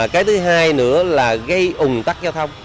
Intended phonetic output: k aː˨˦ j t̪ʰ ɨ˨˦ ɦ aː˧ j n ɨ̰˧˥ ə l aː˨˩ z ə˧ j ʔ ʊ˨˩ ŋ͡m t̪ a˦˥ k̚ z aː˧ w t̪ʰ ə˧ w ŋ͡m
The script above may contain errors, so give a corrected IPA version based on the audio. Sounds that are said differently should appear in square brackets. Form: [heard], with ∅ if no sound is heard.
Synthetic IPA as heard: k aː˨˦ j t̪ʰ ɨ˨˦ ɦ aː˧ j n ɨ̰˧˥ ə l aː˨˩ [ɣ] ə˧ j ʔ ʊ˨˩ ŋ͡m t̪ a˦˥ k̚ z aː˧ w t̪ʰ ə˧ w ŋ͡m

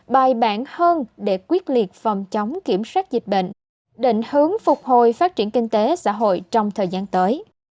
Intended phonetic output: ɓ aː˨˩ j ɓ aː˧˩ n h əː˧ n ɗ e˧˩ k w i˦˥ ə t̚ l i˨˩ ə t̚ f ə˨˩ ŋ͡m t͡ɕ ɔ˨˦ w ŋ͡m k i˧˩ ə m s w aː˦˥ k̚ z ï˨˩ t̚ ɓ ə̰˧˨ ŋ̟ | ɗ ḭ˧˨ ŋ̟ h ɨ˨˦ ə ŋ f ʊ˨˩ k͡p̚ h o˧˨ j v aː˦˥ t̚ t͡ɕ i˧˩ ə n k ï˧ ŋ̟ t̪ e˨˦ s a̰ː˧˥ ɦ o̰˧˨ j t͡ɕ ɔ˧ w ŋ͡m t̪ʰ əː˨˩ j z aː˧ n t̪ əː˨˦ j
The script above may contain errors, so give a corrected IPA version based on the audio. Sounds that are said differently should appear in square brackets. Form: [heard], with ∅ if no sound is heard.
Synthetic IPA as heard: ɓ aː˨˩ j ɓ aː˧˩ n h əː˧ n ɗ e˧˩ k w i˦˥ ə t̚ l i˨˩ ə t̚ f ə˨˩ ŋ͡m t͡ɕ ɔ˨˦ w ŋ͡m k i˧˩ ə m s w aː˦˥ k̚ z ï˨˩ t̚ ɓ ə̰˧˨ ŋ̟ | ɗ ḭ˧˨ ŋ̟ h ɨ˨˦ ə ŋ f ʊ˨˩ k͡p̚ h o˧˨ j [f] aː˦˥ t̚ t͡ɕ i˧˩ ə n k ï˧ ŋ̟ t̪ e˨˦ s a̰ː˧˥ ɦ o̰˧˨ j t͡ɕ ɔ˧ w ŋ͡m t̪ʰ əː˨˩ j z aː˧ n t̪ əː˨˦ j

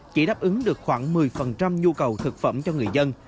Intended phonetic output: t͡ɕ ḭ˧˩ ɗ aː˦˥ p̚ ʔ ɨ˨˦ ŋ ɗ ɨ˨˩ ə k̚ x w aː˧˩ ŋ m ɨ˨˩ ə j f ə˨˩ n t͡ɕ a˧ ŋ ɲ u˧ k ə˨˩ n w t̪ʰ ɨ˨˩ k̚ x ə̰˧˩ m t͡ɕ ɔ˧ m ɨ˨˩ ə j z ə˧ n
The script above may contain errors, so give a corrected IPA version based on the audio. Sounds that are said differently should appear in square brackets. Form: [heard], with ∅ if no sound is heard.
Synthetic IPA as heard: t͡ɕ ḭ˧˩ ɗ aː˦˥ p̚ ʔ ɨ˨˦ ŋ ɗ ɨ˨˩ ə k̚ x w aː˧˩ ŋ m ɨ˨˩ ə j f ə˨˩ n t͡ɕ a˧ [m] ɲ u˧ k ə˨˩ [∅] w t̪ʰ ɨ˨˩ k̚ [f] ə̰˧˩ m t͡ɕ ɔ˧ [ŋ] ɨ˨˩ ə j z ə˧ n

